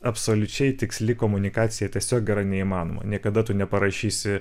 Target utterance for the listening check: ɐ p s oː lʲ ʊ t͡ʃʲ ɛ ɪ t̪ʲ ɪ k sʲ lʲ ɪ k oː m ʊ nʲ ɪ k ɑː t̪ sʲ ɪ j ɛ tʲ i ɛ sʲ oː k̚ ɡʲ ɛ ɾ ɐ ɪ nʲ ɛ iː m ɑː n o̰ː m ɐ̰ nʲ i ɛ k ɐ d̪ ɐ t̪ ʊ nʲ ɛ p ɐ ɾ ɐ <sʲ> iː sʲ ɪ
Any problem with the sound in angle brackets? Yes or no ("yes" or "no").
yes